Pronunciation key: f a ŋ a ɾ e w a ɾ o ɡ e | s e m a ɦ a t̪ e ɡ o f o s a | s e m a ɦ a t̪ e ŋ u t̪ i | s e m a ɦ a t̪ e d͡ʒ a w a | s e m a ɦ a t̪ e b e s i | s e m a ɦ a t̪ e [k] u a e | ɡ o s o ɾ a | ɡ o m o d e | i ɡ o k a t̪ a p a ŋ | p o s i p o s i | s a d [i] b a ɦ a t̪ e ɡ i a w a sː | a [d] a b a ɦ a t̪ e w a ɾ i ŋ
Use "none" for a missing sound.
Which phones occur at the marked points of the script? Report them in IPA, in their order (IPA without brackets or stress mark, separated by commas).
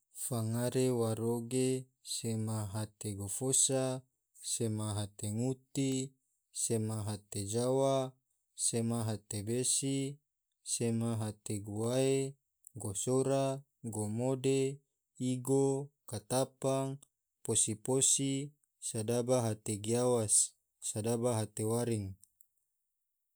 ɡ, a, d